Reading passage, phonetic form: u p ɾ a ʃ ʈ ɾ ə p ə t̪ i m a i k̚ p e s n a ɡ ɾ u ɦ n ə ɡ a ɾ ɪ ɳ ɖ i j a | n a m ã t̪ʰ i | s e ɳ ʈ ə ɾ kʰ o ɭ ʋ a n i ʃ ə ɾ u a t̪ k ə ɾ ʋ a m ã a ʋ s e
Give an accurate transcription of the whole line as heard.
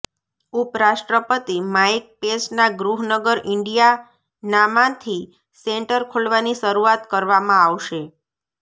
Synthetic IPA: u p ɾ a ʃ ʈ ɾ ə p ə t̪ i m a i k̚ p e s n a ɡ ɾ u ɦ n ə ɡ ə ɾ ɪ ɳ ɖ i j a | n a m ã t̪ʰ i | s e ɳ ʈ ə ɾ kʰ o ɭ ʋ a n i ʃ ə ɾ u a t̪ k ə ɾ ʋ a m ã a ʋ ʃ e